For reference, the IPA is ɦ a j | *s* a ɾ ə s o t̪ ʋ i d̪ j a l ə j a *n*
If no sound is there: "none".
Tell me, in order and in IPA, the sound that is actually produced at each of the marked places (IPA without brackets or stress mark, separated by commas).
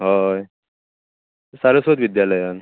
s, n